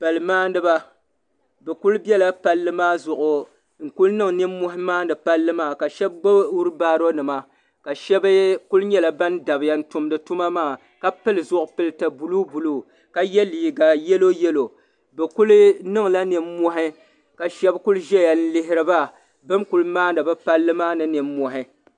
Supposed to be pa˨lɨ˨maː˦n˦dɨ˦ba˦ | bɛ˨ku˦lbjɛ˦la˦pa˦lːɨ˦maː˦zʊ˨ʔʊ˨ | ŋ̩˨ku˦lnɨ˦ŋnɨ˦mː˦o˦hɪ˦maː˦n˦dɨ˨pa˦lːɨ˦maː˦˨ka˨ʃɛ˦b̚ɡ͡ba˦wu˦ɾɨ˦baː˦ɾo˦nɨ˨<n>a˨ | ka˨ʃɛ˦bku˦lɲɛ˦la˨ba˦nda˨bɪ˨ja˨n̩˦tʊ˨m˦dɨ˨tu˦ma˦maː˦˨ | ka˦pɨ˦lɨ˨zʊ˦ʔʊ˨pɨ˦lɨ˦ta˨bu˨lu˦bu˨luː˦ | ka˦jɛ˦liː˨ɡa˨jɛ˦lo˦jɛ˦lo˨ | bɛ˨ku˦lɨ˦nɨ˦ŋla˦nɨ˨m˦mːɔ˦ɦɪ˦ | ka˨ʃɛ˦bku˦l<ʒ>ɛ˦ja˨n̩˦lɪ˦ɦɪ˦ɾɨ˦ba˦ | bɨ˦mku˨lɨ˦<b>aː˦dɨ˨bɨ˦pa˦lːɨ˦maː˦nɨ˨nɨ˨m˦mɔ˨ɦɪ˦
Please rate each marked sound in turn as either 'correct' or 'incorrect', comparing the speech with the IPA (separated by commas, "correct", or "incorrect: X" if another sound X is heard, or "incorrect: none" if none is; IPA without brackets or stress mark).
incorrect: m, correct, incorrect: m